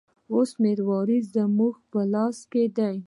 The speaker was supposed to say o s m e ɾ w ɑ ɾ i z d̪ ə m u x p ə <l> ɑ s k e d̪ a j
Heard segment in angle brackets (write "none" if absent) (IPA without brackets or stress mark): l